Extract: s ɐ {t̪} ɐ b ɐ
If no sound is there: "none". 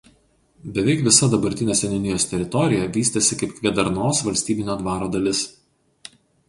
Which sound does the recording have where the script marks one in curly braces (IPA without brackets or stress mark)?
d̪